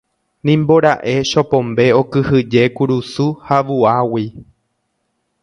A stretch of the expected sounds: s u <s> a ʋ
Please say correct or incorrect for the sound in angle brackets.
incorrect